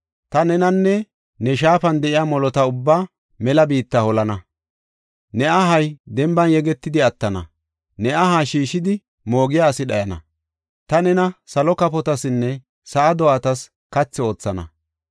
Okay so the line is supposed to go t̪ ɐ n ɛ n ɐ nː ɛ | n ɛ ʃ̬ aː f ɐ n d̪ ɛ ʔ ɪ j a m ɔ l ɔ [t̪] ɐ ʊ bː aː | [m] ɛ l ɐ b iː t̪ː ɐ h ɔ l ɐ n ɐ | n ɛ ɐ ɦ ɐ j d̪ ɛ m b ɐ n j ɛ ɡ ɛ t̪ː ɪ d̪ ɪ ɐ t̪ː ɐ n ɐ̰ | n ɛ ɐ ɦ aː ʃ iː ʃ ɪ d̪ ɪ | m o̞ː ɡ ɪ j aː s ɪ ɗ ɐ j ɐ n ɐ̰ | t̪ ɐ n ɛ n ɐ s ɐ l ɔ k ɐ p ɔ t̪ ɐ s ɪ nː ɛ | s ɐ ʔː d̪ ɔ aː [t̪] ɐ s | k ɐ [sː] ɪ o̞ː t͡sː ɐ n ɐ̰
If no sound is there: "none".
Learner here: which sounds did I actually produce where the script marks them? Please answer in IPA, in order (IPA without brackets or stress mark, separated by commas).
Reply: t̪, m, t̪, t͡sː